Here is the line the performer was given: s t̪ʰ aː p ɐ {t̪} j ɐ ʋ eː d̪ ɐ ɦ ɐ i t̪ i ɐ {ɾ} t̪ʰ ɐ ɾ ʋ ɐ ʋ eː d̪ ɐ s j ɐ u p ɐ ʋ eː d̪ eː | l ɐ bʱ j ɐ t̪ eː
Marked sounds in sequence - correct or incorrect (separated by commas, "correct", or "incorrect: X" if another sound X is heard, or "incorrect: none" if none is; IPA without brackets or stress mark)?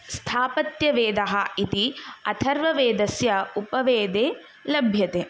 correct, incorrect: none